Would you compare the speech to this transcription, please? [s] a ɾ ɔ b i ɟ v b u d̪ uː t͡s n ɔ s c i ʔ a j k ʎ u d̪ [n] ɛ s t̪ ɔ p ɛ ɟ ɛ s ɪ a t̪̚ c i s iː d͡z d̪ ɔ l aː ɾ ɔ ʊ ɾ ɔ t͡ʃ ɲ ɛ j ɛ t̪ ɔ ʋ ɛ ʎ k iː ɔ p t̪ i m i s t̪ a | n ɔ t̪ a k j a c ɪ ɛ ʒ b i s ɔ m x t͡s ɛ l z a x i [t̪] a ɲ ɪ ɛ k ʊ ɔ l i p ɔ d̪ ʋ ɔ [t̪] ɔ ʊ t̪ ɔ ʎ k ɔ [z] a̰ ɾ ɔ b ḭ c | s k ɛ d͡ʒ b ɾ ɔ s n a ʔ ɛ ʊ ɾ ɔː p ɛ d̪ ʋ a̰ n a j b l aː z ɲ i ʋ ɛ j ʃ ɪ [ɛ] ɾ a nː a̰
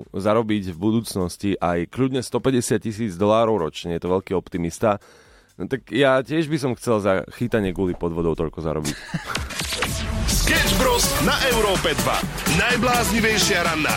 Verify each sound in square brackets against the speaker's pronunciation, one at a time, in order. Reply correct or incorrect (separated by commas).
incorrect, incorrect, correct, incorrect, correct, incorrect